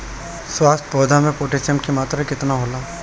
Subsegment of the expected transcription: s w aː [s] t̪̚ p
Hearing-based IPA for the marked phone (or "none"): s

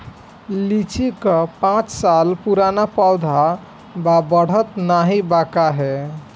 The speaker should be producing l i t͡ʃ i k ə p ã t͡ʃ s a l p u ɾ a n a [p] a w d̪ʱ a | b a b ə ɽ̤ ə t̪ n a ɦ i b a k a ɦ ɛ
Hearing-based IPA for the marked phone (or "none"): p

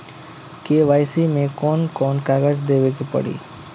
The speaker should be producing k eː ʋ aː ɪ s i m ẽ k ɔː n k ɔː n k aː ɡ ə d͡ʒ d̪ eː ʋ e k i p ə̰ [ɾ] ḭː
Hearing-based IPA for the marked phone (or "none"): ɽ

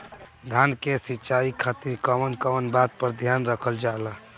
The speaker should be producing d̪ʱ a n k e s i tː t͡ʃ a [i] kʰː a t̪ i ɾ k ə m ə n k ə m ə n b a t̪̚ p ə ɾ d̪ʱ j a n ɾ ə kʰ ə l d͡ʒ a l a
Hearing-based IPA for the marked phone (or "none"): i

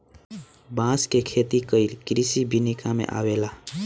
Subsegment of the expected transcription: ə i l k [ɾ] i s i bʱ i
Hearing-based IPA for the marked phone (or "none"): ɾ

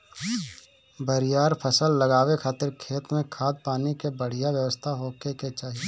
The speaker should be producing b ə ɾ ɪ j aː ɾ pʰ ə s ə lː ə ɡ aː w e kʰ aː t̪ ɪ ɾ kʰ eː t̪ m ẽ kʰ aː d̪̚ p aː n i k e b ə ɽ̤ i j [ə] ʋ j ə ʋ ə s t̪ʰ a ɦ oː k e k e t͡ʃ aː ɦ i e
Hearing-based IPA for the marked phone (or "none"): a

